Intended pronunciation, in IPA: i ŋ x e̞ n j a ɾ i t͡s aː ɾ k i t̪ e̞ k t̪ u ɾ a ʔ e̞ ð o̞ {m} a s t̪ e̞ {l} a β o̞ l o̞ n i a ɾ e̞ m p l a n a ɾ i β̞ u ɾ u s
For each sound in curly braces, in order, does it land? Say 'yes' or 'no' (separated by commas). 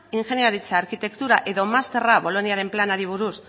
yes, no